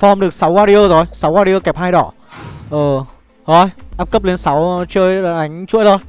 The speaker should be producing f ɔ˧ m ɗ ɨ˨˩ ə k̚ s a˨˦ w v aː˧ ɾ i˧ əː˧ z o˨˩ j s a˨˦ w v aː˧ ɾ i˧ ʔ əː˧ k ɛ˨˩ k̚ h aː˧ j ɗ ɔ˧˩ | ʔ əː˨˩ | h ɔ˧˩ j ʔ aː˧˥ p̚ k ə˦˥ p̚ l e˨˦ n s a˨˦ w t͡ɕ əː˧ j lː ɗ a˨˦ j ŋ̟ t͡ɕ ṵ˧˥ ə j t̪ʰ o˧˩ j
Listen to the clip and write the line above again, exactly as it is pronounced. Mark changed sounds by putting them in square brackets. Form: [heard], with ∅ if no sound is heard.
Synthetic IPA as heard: f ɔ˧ m ɗ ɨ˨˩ ə k̚ s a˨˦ w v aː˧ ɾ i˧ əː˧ z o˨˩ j s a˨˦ w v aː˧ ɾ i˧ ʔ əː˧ k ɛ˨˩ [p̚] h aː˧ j ɗ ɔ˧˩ | ʔ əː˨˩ | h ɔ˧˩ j ʔ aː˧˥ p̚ k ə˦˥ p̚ l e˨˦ n s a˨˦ w t͡ɕ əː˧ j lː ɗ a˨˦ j ŋ̟ t͡ɕ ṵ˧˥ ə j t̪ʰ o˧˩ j